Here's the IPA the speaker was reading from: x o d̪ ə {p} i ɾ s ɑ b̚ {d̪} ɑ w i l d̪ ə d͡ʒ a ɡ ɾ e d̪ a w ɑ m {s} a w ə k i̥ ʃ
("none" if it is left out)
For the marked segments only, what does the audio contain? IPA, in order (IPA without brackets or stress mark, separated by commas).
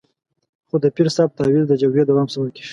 p, t̪, s